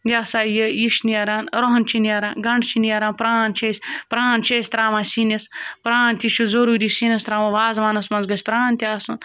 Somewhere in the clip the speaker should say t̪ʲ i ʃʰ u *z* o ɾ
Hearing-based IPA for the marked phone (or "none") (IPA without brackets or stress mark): z